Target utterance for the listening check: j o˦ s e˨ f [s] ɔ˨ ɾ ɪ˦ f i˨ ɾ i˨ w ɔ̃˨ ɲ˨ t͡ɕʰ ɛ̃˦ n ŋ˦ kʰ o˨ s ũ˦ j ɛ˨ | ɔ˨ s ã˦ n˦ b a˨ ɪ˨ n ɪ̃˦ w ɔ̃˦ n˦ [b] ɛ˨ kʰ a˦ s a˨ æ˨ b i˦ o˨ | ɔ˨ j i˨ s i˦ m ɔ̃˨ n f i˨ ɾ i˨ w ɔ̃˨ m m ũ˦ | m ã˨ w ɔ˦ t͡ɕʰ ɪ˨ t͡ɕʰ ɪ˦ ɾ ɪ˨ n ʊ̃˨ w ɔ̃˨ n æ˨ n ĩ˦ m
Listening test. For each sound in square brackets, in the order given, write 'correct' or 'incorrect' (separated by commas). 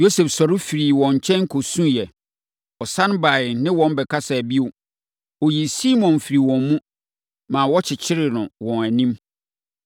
correct, correct